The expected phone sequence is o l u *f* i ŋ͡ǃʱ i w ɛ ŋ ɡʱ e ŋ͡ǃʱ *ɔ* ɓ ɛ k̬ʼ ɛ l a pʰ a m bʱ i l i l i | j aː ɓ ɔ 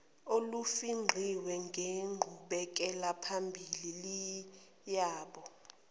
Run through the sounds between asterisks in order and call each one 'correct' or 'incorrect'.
correct, incorrect: u

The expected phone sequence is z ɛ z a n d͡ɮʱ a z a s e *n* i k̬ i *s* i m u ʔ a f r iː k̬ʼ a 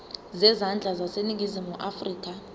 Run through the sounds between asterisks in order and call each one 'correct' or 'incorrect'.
correct, incorrect: z

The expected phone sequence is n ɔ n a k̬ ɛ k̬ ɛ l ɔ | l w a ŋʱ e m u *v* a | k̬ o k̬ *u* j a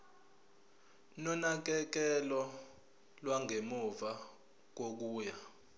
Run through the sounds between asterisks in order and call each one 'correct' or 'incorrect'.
correct, incorrect: uː

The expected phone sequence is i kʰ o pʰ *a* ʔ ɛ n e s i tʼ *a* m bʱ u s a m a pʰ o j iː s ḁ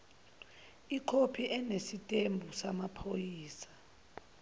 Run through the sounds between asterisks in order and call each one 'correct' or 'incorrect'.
incorrect: i, incorrect: e

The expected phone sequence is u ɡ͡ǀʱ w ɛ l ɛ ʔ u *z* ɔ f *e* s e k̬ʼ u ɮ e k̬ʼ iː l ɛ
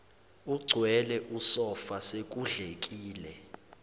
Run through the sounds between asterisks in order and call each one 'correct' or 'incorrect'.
incorrect: s, incorrect: a

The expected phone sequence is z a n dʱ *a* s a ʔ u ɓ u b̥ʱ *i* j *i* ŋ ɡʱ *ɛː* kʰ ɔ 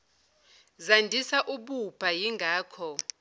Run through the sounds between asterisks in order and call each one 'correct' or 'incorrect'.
incorrect: i, incorrect: a, correct, incorrect: aː

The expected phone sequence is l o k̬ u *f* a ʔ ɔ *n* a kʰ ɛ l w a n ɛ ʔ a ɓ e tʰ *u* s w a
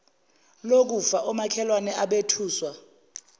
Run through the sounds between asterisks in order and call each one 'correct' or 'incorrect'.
correct, incorrect: m, incorrect: uː

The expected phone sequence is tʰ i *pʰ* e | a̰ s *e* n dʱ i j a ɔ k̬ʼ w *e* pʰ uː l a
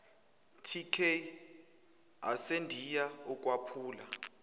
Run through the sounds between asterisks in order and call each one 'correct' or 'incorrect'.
incorrect: kʰ, correct, incorrect: a

